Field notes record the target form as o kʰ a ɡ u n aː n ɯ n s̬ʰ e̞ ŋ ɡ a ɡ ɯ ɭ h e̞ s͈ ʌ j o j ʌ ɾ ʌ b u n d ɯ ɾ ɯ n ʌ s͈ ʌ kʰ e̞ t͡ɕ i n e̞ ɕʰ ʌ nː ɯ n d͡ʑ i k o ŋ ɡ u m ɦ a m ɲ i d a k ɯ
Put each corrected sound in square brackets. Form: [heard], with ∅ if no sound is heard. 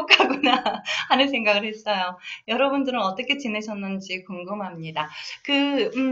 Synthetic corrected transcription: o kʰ a ɡ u n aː n ɯ n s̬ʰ e̞ ŋ ɡ a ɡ ɯ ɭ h e̞ s͈ ʌ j o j ʌ ɾ ʌ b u n d ɯ ɾ ɯ n ʌ [t͈] ʌ kʰ e̞ t͡ɕ i n e̞ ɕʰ ʌ nː ɯ n d͡ʑ i k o ŋ ɡ [ɯ] m ɦ a m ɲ i d a k ɯ